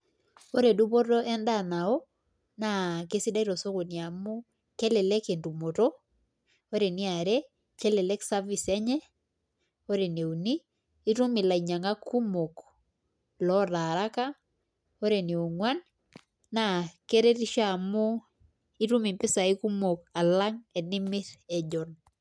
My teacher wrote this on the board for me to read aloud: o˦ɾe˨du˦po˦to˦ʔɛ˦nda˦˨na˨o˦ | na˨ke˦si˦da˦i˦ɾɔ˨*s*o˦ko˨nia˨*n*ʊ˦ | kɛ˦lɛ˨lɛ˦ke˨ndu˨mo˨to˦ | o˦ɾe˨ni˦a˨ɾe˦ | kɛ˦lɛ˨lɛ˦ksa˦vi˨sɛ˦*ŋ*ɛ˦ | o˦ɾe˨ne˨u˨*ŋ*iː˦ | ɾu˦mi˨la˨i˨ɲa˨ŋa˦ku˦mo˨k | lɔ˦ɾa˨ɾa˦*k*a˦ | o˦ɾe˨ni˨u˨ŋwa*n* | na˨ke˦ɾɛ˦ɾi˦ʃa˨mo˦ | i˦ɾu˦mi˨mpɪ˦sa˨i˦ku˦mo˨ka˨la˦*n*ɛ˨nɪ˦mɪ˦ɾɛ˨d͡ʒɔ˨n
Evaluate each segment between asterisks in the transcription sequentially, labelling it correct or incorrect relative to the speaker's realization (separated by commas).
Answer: correct, incorrect, incorrect, incorrect, correct, correct, incorrect